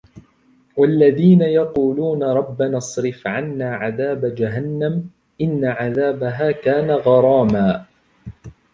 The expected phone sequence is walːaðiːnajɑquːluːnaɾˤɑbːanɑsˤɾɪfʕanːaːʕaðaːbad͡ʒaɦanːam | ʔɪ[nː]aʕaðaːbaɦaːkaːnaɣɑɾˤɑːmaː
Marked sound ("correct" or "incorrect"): correct